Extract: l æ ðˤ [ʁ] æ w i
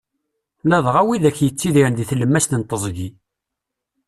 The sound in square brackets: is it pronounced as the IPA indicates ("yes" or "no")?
yes